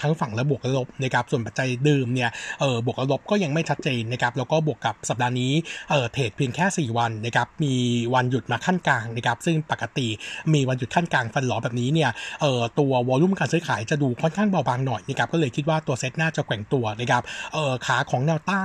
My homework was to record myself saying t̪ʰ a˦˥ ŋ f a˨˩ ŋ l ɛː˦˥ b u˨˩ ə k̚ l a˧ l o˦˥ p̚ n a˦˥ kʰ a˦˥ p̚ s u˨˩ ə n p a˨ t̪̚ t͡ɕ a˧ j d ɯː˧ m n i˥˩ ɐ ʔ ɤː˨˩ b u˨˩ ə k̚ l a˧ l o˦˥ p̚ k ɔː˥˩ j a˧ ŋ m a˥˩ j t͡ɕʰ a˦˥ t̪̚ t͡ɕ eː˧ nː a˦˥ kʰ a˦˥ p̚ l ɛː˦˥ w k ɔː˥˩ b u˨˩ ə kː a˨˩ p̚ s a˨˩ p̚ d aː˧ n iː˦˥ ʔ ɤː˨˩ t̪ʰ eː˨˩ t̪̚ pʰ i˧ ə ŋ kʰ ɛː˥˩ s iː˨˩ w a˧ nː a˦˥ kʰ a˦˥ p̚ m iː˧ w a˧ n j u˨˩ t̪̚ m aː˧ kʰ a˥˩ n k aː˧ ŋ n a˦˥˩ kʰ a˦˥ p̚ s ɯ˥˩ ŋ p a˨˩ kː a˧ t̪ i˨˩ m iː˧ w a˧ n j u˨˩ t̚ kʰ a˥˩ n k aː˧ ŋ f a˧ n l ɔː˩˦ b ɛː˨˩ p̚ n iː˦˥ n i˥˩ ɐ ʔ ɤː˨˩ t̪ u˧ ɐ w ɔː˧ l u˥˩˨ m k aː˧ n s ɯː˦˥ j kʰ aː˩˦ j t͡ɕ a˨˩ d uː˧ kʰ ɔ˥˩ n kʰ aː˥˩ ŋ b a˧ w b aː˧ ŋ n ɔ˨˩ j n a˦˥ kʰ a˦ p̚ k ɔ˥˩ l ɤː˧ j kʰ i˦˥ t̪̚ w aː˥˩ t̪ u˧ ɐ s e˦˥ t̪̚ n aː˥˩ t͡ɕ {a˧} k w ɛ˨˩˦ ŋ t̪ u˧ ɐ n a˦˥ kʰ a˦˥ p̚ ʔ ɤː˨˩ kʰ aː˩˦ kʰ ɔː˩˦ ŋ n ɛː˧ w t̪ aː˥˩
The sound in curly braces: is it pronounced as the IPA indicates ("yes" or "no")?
no